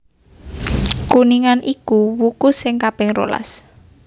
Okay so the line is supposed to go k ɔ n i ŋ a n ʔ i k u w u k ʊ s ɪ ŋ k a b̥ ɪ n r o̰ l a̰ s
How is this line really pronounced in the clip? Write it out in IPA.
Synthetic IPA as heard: k u n i ŋ a n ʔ i k u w u k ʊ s ɪ ŋ k a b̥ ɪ ŋ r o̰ l a̰ s